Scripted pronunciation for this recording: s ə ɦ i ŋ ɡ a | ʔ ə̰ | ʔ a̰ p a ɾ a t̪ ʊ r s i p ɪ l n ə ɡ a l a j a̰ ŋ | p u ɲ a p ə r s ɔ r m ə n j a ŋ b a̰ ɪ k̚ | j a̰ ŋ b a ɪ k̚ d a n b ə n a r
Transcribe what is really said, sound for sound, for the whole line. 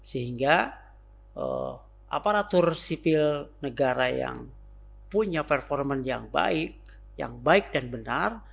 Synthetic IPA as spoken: s ə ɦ i ŋ ɡ a | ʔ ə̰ | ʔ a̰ p a ɾ a t̪ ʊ r s i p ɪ l n ə ɡ a ɾ a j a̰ ŋ | p u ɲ a p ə r f ɔ r m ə n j a ŋ b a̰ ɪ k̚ | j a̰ ŋ b a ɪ k̚ d a n b ə n a r